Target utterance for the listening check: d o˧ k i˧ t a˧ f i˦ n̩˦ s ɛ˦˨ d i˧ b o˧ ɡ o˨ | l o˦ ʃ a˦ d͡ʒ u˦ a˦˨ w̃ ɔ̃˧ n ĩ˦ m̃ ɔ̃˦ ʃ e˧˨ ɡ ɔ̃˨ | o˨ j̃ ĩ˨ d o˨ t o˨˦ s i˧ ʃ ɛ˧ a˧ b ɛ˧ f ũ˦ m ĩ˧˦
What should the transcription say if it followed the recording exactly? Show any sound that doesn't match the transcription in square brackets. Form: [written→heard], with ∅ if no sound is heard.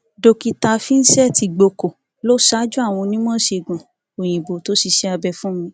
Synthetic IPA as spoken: d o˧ k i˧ t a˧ f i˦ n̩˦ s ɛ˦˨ [d→t] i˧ [b→ɡ͡b] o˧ [ɡ→k] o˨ | l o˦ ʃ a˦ d͡ʒ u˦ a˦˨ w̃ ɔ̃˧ n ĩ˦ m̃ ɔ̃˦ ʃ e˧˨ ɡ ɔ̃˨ | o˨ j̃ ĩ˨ [d→b] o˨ t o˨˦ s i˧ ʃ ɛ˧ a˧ b ɛ˧ f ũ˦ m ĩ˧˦